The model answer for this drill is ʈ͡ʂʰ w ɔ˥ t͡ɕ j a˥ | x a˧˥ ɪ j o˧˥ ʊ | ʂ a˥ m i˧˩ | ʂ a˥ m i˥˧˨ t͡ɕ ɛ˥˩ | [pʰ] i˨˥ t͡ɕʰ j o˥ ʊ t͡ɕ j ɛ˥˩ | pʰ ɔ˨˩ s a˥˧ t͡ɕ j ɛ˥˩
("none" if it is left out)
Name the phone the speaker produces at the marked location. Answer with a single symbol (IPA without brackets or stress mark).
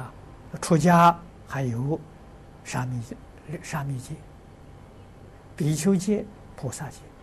p